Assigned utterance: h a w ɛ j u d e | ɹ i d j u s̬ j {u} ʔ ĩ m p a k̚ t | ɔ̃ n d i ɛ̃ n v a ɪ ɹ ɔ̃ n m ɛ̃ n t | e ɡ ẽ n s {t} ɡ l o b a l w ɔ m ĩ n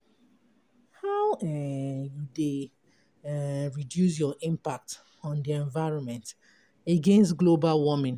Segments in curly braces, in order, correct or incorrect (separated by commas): incorrect, correct